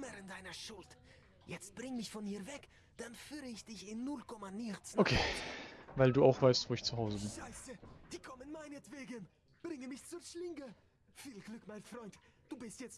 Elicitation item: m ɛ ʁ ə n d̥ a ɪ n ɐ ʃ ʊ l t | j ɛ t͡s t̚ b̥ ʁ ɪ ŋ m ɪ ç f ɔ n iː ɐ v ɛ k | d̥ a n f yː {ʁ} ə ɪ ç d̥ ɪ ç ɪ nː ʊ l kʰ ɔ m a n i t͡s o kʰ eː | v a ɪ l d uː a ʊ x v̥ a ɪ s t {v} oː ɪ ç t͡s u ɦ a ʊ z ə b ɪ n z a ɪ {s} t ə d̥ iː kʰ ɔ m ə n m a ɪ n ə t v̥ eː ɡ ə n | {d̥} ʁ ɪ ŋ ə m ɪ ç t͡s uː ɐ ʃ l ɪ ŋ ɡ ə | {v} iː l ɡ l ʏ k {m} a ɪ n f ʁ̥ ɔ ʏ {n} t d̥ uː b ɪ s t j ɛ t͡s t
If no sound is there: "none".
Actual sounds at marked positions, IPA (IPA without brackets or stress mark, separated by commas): ʁ, v, s, b̥, f, m, n